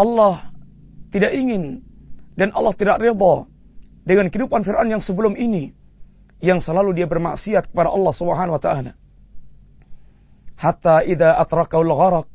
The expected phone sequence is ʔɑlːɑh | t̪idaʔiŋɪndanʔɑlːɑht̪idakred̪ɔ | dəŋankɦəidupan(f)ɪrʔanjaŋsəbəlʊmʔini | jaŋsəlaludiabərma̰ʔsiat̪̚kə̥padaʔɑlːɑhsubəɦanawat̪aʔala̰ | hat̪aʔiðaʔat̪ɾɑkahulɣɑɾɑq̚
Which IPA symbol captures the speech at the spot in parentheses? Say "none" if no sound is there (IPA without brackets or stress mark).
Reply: f